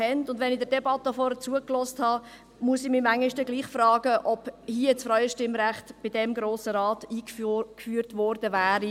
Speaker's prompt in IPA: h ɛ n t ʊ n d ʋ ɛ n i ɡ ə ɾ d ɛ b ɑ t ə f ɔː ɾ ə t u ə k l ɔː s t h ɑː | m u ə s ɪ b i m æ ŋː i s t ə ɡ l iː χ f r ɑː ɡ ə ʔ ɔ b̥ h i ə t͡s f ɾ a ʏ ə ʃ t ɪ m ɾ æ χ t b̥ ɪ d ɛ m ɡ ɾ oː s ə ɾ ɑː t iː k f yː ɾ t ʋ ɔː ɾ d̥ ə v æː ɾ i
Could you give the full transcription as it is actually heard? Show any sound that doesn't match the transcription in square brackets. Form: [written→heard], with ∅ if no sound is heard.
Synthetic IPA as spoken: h ɛ n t ʊ n d ʋ ɛ n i [ɡ→d] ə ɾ d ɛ b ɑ t ə f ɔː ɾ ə [t→t͡s] u ə k l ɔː s t h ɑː | m u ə s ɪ [b→m] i m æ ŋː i [s→ʃ] t ə ɡ l iː χ f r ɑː ɡ ə ʔ ɔ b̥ h i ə t͡s f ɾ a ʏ ə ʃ t ɪ m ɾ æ χ t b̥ ɪ d ɛ m ɡ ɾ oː s ə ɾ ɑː t iː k f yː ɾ t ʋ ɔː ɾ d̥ ə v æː ɾ i